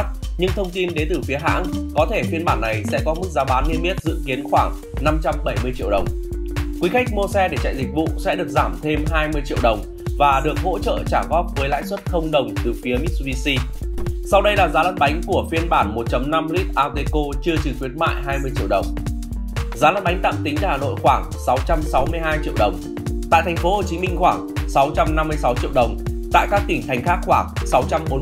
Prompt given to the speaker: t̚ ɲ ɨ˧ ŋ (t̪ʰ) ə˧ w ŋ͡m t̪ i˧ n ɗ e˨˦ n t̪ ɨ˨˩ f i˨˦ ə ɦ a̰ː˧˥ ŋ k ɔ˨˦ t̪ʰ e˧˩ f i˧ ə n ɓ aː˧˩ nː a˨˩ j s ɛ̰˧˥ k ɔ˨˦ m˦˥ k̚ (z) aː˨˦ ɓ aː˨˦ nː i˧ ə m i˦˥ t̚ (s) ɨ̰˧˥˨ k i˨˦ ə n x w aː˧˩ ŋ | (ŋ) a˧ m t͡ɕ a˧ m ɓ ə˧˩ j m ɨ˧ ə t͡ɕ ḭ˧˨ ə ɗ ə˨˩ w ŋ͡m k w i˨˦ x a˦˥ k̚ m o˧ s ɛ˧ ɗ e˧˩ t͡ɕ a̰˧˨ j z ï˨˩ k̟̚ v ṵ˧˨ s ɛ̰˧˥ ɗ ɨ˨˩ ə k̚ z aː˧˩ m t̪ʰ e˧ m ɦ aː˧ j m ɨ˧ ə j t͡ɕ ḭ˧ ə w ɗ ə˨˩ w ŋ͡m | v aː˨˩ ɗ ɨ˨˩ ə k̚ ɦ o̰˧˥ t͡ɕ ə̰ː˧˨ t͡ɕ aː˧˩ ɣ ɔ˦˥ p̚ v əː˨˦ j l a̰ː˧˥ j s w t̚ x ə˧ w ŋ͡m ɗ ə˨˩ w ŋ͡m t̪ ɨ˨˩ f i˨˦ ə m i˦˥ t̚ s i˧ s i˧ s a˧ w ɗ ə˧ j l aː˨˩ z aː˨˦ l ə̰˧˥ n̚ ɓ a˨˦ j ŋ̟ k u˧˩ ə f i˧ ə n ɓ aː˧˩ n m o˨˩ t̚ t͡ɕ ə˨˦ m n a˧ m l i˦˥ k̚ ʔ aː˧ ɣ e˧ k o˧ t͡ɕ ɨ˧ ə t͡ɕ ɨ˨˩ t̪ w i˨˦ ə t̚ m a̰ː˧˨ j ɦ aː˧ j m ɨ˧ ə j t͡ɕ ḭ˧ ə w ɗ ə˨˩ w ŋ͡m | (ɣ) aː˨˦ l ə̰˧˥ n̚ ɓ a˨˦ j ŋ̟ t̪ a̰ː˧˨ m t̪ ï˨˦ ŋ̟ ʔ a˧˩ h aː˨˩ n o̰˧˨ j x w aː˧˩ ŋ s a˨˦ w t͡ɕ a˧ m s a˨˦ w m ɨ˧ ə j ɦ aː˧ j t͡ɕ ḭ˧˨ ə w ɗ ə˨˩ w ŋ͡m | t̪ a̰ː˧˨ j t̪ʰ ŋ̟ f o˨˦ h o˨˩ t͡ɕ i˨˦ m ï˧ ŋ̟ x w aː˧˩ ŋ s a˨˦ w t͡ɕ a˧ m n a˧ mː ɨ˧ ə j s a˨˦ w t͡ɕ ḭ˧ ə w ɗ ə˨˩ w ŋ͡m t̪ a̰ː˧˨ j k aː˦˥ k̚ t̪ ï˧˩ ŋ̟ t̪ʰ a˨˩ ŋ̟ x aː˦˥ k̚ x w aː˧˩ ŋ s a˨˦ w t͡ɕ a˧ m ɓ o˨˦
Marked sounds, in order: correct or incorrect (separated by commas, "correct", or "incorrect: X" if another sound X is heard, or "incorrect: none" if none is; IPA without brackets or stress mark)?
correct, correct, incorrect: z, incorrect: n, incorrect: z